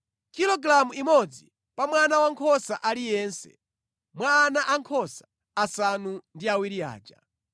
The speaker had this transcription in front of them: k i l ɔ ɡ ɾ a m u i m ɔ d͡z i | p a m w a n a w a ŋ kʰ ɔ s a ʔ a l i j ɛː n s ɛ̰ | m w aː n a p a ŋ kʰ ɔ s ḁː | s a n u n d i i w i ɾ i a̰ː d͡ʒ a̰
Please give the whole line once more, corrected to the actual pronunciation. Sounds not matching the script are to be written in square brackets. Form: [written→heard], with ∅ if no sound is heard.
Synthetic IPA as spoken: k i l ɔ ɡ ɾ a m u i m ɔ d͡z i | p a m w a n a w a ŋ kʰ ɔ s a ʔ a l i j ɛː n s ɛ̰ | m w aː n a [p→ʔ] a ŋ kʰ ɔ s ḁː | s a n u n d i [i→a] w i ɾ i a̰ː d͡ʒ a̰